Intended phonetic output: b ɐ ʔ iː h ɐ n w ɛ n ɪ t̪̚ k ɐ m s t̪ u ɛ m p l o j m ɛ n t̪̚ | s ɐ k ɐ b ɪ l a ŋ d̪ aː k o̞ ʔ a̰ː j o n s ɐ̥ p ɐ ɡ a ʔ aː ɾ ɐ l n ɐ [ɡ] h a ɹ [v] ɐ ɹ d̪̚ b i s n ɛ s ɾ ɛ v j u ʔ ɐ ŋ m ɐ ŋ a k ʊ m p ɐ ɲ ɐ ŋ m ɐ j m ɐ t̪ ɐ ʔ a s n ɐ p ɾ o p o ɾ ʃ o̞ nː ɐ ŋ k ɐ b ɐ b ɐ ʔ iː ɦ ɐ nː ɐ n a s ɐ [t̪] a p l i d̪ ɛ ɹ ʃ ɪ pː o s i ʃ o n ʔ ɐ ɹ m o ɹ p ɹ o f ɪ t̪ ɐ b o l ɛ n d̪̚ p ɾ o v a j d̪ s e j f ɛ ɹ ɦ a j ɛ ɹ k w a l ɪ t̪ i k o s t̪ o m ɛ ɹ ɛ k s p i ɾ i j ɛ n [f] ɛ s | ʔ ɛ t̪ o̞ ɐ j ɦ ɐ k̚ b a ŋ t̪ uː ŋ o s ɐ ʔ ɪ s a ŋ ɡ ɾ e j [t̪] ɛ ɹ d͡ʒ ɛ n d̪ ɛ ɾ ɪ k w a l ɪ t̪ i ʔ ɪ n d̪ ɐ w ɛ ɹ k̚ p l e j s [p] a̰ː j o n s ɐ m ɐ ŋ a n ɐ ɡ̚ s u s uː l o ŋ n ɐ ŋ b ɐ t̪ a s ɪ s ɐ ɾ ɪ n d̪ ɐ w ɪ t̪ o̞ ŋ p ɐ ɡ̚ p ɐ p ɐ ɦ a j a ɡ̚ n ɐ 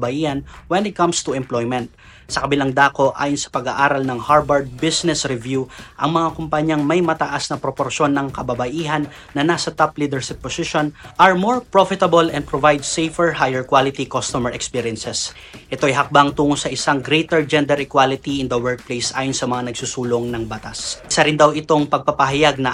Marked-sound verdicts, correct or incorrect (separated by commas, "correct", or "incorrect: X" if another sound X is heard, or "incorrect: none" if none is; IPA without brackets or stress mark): incorrect: ŋ, incorrect: b, correct, incorrect: s, correct, incorrect: ʔ